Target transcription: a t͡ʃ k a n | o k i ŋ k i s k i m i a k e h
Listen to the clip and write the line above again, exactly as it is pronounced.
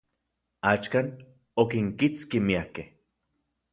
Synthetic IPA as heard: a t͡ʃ k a n | o k i ŋ k i t͡s k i m i a k e h